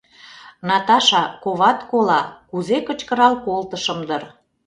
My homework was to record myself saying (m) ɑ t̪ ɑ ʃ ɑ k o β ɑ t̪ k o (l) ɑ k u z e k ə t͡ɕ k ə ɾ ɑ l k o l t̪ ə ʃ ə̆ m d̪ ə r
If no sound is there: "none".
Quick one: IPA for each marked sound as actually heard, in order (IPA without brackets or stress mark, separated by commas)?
n, l